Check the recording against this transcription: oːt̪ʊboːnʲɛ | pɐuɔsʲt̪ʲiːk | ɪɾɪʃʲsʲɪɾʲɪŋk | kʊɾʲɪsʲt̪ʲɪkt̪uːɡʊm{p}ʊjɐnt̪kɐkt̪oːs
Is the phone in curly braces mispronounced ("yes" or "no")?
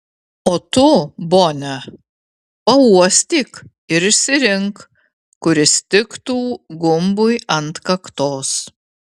yes